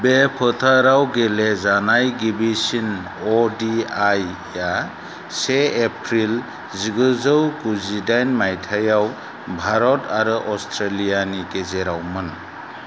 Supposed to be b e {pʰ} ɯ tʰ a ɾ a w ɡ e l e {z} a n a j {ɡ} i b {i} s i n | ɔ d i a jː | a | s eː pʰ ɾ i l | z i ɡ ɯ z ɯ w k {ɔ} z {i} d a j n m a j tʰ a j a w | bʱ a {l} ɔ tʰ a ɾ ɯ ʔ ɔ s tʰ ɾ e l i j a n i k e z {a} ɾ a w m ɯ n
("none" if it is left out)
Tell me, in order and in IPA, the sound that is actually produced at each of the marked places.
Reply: pʰ, z, ɡ, i, u, i, ɾ, e

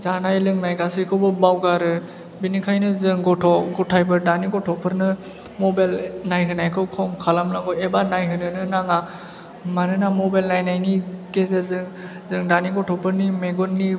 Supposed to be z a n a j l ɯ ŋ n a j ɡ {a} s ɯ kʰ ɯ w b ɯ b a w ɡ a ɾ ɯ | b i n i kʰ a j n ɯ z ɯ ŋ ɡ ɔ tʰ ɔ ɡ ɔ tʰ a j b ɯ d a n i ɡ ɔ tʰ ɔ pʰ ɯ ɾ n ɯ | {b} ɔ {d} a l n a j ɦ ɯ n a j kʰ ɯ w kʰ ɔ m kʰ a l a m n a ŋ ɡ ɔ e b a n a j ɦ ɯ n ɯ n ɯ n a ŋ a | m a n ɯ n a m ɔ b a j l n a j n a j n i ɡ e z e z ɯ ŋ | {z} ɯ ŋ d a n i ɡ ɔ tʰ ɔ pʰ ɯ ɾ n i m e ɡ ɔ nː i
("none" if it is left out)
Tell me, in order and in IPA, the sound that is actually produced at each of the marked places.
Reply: a, m, b, z

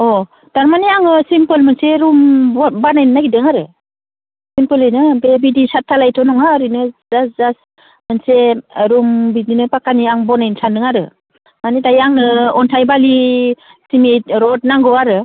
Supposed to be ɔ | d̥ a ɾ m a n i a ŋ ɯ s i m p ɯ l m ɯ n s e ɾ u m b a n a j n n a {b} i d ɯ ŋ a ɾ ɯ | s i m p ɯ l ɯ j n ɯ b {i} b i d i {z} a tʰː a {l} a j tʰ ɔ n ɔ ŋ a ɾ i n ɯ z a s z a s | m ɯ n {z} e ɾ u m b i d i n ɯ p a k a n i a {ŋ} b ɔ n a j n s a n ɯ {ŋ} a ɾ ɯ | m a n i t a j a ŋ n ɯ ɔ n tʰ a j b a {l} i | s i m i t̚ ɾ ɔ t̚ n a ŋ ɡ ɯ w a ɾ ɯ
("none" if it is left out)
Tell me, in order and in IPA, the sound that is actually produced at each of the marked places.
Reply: ɡ, e, s, l, s, ŋ, ŋ, l

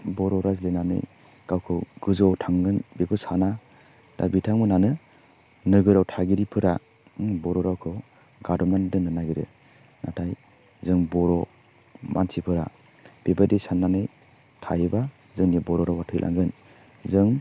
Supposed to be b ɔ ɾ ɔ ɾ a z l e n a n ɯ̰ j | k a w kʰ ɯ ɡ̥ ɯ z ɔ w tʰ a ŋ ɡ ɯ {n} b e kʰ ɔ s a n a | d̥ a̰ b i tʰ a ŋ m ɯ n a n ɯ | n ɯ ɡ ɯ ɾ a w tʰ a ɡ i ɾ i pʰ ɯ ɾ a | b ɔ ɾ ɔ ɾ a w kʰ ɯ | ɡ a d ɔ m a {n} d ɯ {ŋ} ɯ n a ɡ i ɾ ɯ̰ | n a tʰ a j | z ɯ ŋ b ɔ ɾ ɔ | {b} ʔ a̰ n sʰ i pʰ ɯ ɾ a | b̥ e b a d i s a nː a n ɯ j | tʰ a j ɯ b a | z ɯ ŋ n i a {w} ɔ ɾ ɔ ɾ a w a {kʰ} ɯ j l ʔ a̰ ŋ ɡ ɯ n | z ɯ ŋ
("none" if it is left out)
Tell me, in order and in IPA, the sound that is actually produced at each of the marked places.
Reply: n, n, n, m, b, tʰ

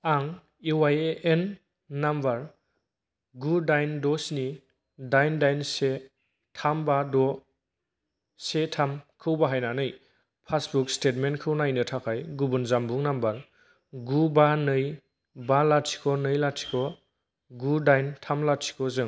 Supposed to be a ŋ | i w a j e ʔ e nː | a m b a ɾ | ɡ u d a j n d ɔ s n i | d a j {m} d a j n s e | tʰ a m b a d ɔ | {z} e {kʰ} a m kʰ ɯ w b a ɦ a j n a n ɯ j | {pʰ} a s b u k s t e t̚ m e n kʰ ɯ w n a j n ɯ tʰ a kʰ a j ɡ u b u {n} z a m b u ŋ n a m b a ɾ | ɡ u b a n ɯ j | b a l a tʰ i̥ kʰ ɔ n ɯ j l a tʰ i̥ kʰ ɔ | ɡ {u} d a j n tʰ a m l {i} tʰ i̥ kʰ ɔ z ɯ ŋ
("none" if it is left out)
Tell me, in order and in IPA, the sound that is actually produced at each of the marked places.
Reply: n, s, tʰ, pʰ, n, u, a

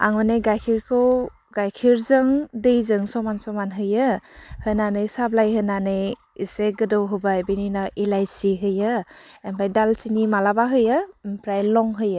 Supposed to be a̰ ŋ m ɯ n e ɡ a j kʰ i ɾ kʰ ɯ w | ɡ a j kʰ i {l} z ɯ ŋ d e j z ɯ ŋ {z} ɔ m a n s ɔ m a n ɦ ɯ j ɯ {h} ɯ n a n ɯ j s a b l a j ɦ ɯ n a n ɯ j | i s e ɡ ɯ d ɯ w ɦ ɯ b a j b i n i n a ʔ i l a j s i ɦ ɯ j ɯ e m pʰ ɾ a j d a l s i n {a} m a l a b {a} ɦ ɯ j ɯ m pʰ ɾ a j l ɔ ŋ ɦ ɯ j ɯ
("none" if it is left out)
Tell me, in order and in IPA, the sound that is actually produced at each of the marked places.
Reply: ɾ, s, h, i, a

